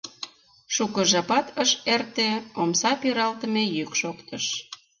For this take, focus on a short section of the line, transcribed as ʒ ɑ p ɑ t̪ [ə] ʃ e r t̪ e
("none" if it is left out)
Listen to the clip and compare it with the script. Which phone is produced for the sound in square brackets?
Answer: ə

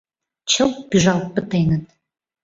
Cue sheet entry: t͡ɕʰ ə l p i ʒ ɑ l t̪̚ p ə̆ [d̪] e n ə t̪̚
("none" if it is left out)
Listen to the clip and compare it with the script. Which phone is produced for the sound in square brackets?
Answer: t̪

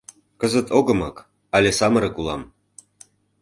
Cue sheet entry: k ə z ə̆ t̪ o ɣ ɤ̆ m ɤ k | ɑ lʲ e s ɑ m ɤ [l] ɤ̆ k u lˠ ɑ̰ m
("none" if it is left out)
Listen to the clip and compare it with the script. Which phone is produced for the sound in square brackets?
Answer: ɾ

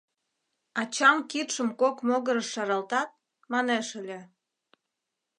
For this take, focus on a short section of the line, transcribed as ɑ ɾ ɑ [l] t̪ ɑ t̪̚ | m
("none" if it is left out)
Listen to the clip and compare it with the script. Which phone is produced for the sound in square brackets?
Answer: l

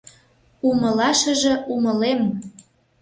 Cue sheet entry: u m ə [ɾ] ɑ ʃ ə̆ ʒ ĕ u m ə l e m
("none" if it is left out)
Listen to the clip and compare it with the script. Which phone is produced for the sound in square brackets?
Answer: l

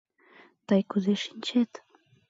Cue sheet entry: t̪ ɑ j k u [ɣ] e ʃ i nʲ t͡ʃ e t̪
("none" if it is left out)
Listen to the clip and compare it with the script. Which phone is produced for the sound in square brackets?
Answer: z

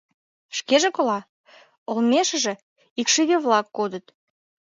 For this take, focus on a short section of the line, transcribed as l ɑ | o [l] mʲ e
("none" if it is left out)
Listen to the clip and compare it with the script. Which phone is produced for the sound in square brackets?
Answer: l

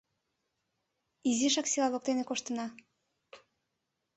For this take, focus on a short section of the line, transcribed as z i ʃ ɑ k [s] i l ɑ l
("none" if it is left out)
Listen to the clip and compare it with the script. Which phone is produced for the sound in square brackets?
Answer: s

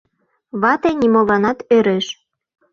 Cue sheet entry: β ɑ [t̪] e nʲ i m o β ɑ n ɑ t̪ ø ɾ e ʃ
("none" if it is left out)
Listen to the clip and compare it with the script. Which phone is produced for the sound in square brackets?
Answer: t̪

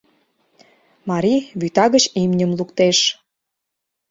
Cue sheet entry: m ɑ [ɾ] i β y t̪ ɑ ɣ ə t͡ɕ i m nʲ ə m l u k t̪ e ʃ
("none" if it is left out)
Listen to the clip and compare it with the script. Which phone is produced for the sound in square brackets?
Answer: ɾ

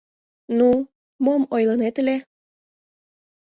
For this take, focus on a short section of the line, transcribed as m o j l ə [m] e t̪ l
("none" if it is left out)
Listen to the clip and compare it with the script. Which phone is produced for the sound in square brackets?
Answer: n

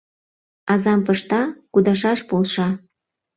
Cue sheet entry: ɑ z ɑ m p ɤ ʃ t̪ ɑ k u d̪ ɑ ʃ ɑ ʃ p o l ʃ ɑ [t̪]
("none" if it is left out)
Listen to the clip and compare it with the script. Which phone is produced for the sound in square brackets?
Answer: none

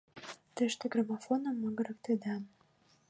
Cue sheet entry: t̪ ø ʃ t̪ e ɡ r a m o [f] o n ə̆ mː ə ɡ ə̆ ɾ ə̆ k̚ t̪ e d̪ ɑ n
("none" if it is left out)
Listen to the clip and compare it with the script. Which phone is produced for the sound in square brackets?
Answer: f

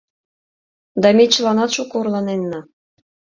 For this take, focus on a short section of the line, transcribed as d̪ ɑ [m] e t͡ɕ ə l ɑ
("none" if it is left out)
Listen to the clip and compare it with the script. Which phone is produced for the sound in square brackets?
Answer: m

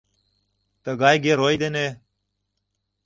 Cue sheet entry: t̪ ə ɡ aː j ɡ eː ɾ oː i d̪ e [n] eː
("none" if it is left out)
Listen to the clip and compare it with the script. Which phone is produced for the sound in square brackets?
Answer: n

